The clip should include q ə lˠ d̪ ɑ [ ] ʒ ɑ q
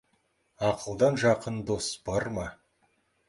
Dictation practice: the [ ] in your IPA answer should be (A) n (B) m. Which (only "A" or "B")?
A